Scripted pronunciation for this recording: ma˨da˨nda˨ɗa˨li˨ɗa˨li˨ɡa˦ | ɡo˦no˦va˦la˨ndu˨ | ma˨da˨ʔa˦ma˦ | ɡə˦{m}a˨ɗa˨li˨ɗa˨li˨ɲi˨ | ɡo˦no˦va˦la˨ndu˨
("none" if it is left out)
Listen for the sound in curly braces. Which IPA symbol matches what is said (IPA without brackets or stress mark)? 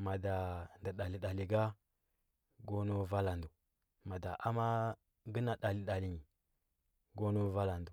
n